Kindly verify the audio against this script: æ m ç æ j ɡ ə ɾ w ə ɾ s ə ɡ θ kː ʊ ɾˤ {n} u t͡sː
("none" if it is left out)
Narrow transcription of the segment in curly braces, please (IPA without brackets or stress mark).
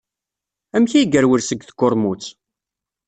m